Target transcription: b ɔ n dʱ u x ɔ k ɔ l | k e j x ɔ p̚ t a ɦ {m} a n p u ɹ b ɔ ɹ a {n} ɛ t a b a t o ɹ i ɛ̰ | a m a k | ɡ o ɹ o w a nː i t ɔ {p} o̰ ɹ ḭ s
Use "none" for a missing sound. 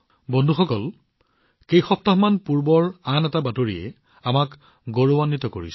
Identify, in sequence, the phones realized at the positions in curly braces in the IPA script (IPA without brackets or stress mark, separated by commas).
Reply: m, n, k